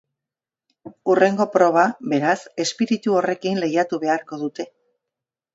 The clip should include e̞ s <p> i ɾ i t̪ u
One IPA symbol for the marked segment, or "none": p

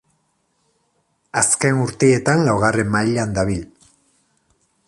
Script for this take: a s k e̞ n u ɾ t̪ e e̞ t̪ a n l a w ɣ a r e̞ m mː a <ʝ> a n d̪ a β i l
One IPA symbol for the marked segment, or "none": ʎ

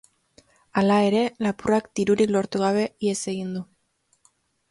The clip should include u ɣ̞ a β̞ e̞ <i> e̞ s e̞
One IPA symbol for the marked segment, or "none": i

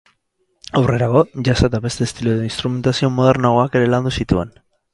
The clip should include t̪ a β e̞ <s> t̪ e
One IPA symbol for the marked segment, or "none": s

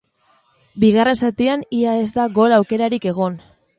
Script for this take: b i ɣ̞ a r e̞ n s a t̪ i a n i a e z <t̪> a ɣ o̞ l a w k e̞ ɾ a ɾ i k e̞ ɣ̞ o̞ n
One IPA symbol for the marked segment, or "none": d̪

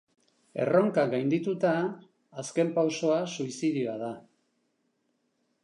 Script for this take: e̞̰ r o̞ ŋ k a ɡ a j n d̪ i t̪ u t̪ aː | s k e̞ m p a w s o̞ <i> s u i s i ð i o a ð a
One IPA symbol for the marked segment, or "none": a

